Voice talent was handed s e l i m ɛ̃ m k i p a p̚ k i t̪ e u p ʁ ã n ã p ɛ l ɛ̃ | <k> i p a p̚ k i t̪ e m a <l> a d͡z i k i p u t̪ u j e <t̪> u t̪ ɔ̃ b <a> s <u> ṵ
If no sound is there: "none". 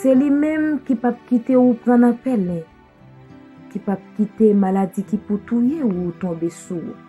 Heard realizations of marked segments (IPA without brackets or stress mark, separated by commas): k, l, none, e, u